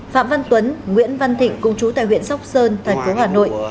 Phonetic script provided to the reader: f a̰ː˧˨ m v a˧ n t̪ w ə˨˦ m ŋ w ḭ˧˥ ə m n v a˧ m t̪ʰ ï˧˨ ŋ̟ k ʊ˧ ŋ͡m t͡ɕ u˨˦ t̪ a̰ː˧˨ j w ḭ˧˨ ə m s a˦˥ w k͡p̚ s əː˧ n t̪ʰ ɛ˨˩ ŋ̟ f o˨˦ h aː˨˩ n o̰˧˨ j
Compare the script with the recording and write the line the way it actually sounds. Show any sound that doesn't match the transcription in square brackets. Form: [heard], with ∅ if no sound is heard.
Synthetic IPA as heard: f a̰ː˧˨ m v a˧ n t̪ w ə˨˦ [n] ŋ w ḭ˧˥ ə [∅] n v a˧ [n] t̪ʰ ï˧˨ ŋ̟ k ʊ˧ ŋ͡m t͡ɕ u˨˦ t̪ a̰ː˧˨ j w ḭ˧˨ ə [n] s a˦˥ w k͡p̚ s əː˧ n t̪ʰ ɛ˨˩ ŋ̟ f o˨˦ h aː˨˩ n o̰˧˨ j